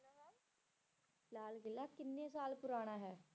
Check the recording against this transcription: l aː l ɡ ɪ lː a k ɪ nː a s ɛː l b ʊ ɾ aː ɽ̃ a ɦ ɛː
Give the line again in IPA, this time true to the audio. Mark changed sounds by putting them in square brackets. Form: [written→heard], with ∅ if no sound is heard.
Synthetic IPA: l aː l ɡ ɪ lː a k ɪ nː [a→e] s [ɛː→aː] l [b→p] ʊ ɾ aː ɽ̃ a ɦ ɛː